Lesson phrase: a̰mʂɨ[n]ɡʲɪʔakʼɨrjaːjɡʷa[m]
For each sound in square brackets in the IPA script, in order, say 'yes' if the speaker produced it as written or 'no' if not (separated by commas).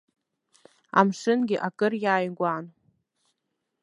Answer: yes, no